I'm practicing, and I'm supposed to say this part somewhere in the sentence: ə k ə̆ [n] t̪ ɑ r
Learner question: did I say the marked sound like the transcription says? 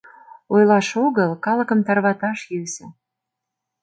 no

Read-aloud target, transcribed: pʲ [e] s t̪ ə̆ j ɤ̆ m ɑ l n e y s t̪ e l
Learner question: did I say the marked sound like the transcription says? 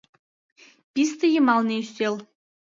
no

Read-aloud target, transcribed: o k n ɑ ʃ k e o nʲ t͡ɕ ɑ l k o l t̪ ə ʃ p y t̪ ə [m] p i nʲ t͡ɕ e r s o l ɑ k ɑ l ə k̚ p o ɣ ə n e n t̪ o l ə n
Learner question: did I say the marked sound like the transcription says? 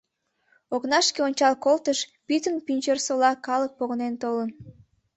no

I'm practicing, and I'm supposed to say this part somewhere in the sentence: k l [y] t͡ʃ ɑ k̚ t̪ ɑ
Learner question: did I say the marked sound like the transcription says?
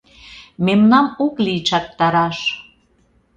no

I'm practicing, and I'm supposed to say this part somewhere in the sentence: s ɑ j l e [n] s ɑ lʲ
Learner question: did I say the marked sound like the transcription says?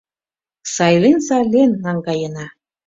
yes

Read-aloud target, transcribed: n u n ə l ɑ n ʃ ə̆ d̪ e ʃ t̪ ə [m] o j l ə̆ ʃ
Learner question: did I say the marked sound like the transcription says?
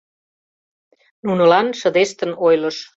no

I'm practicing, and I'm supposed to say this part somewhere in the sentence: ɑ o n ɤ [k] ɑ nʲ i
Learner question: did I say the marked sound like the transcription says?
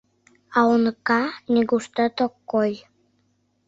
yes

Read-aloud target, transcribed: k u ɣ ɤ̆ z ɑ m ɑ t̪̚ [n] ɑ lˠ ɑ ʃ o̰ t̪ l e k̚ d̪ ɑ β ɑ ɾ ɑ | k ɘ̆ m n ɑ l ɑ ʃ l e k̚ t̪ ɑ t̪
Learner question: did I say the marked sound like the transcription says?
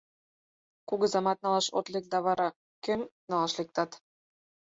yes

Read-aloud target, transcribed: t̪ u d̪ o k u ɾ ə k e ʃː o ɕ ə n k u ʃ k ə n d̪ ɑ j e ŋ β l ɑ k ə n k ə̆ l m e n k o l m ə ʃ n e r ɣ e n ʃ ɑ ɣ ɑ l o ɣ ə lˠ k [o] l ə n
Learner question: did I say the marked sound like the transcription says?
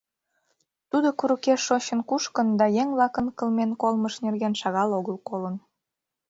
yes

